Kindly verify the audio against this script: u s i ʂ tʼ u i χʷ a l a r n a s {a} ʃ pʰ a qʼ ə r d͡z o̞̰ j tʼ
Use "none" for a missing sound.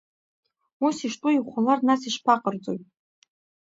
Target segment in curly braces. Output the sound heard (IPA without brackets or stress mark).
i